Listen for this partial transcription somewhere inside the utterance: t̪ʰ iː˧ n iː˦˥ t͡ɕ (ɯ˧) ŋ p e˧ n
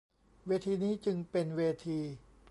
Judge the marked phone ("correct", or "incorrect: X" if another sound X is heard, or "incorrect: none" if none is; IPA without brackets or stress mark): correct